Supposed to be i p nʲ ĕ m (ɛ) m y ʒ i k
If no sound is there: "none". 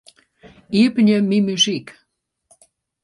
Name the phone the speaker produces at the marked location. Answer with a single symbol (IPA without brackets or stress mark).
i